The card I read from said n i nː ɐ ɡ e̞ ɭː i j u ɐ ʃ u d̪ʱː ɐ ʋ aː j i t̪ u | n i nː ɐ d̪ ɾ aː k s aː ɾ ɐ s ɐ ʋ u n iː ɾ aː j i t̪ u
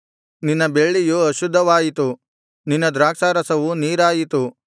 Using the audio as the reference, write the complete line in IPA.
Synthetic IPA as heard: n i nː ɐ b e̞ ɭː i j u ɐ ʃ u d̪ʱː ɐ ʋ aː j i t̪ u | n i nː ɐ d̪ ɾ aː k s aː ɾ ɐ s ɐ ʋ u n iː ɾ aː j i t̪ u